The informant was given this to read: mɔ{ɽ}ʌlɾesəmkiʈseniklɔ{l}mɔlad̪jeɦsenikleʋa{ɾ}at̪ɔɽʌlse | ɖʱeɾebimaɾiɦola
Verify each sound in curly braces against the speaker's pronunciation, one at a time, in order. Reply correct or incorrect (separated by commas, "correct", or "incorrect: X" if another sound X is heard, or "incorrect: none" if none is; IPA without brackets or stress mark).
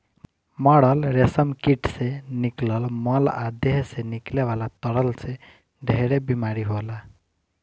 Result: correct, correct, incorrect: l